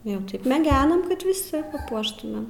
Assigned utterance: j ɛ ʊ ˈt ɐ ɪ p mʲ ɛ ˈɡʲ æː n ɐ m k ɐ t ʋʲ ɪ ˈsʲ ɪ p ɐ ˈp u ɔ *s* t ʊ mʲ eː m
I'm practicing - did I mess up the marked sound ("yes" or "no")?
yes